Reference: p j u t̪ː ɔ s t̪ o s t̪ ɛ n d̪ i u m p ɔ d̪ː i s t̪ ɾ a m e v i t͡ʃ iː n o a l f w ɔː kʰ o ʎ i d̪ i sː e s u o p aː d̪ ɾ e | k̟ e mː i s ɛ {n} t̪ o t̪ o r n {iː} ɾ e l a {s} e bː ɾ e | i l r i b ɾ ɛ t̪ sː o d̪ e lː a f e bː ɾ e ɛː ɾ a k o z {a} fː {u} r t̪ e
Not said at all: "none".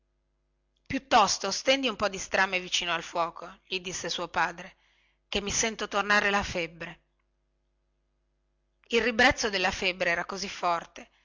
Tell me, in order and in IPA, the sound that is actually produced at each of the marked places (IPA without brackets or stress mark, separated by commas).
n, aː, f, i, ɔ